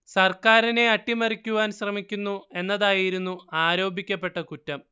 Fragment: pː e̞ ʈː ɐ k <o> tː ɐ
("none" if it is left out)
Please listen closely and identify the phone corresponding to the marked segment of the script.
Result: u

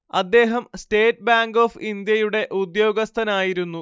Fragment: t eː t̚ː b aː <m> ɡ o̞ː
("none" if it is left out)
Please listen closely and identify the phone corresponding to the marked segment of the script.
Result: ŋ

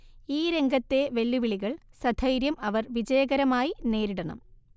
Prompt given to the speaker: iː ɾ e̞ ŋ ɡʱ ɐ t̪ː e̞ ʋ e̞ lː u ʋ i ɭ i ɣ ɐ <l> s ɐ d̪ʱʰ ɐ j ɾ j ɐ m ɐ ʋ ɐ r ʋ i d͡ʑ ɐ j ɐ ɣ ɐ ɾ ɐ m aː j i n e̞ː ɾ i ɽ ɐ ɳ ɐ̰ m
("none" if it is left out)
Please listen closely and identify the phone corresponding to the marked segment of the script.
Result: ɭ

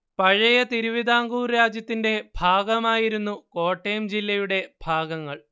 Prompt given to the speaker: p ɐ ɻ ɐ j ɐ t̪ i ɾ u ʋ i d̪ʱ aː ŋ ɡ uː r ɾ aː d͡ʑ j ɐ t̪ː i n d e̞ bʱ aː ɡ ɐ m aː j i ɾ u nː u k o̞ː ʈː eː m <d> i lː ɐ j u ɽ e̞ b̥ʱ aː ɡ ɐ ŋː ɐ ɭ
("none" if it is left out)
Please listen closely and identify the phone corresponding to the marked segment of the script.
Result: d͡ʑ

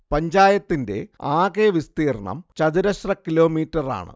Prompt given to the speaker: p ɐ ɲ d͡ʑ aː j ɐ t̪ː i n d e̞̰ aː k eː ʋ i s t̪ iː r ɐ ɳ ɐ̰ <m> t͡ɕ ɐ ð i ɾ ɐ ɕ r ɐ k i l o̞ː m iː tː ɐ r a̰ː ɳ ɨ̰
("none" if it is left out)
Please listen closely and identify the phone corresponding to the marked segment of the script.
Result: m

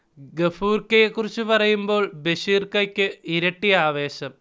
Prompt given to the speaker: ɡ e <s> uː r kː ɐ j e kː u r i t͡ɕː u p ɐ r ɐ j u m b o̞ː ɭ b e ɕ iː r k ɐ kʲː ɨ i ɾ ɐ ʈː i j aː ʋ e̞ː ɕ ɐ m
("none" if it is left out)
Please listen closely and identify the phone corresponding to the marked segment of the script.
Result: f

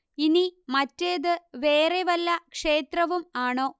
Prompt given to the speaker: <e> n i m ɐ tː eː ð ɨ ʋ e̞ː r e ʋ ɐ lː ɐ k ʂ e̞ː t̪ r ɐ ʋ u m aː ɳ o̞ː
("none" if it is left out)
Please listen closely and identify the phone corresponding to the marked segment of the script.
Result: i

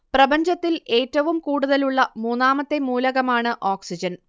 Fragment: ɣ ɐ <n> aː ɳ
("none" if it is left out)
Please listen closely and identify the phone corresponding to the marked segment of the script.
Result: m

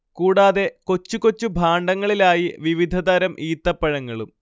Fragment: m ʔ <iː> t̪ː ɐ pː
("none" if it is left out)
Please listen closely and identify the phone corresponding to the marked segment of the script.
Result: iː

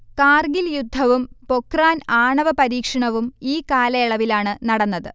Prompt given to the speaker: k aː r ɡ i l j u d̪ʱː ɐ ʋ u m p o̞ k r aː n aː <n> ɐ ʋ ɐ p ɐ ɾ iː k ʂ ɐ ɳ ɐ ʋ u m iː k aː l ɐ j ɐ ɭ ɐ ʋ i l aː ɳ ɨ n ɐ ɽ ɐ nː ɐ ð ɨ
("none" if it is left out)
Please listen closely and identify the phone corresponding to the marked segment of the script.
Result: ɳ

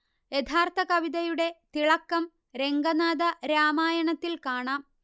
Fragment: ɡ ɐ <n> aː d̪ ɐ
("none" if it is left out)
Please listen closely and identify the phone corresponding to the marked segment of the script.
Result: n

